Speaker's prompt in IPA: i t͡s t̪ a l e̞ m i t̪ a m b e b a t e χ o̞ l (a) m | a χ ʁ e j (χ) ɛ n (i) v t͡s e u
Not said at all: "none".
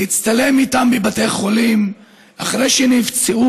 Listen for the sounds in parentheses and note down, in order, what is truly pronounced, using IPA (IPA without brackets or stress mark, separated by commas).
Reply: i, ʃ, i